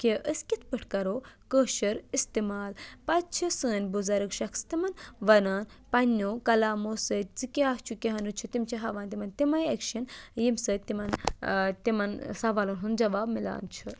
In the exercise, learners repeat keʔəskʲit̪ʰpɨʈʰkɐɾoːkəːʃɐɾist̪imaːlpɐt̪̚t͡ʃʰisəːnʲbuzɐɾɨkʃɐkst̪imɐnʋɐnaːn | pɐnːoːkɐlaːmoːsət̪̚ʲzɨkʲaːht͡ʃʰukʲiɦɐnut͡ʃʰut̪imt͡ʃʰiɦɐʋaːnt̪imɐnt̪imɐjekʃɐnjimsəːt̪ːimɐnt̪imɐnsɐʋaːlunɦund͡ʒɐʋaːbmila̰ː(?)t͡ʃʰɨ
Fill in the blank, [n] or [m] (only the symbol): n